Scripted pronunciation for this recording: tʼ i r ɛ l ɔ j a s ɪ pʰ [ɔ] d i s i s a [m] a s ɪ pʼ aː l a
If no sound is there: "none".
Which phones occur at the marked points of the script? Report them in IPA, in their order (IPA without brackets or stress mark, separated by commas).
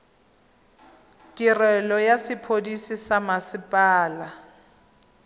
o, m